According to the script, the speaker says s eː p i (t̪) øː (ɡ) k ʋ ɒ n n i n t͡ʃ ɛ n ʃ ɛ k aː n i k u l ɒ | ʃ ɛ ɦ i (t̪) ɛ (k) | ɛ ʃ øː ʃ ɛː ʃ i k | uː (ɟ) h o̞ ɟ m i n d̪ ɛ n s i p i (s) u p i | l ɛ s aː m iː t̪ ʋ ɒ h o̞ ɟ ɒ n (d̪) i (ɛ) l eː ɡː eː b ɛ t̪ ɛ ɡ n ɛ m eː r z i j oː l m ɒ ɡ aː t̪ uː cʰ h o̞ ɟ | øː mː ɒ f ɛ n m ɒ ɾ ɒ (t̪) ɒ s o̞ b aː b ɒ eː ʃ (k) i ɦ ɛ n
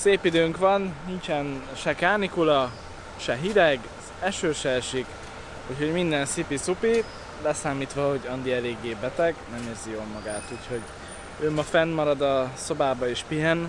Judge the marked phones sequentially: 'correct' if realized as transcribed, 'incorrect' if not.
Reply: incorrect: d̪, incorrect: ŋ, incorrect: d̪, incorrect: ɡ, incorrect: c, correct, correct, correct, incorrect: d̪, incorrect: p

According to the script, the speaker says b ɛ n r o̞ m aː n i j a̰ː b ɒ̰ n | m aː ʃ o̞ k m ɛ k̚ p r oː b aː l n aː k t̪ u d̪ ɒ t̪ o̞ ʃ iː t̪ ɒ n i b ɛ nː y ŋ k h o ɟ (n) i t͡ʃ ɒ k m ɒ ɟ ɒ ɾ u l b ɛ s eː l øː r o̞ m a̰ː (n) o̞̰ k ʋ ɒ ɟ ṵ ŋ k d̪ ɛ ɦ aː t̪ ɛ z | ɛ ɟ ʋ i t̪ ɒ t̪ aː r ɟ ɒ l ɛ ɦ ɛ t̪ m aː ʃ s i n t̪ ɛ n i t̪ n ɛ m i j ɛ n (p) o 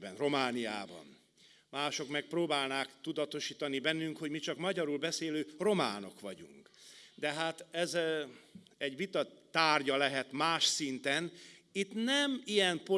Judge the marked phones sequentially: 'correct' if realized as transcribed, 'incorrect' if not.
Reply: incorrect: m, correct, correct

